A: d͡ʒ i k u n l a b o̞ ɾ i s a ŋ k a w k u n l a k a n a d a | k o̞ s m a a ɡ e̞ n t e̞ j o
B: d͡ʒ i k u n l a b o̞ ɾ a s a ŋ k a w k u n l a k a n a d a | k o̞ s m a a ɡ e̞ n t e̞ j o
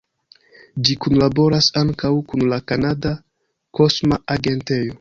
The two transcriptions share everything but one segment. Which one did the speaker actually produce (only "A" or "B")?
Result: B